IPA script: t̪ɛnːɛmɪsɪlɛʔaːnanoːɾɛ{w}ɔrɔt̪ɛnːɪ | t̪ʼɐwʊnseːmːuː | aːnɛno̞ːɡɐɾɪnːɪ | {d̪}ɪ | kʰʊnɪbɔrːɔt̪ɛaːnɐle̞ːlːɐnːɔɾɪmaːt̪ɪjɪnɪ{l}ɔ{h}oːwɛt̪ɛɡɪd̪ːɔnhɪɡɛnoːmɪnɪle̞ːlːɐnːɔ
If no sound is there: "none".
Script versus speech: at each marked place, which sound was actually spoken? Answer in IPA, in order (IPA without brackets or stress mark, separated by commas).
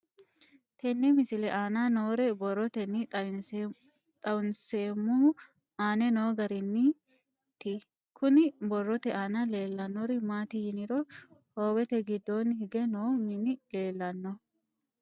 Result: b, t̪, ɾ, h